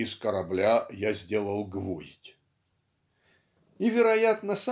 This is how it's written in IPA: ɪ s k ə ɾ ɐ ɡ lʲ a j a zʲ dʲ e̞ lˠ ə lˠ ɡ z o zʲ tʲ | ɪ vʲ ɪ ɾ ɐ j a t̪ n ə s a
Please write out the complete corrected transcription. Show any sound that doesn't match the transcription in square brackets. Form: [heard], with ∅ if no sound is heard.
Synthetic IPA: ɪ s k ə ɾ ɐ [b] lʲ a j a zʲ dʲ e̞ lˠ ə lˠ ɡ [v] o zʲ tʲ | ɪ vʲ ɪ ɾ ɐ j a t̪ n ə s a